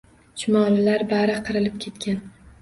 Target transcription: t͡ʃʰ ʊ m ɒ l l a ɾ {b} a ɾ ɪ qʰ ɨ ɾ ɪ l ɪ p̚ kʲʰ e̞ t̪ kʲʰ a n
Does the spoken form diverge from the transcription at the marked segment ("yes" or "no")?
no